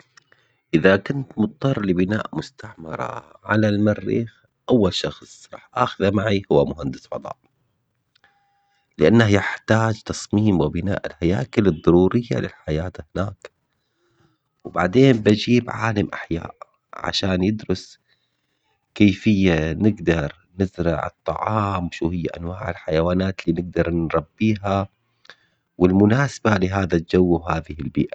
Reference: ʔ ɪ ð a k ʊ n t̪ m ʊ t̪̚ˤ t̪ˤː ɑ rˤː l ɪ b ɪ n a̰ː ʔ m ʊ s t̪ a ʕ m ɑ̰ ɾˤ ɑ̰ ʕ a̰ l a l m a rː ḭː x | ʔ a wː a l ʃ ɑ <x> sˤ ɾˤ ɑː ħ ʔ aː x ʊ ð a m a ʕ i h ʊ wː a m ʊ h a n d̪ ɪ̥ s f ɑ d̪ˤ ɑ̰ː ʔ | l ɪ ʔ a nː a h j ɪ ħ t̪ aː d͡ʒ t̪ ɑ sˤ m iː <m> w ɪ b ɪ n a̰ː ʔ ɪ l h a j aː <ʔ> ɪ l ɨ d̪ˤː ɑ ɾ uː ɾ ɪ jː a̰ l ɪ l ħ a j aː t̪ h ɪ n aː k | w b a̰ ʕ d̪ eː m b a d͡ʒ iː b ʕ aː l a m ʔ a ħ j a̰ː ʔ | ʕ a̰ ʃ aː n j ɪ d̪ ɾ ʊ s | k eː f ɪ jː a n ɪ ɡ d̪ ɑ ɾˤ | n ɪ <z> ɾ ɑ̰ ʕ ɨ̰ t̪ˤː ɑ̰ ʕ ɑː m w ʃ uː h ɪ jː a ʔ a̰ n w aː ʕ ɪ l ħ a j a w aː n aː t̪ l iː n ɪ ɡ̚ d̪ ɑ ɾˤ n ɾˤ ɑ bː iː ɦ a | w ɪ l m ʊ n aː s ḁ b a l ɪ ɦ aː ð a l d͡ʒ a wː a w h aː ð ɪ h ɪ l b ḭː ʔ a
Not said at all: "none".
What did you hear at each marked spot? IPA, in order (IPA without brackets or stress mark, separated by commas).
x, m, k, z